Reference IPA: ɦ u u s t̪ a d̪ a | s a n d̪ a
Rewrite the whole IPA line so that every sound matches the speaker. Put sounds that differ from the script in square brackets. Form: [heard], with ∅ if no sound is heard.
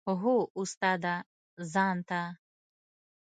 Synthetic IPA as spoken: ɦ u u s t̪ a d̪ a | [z] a n [t̪] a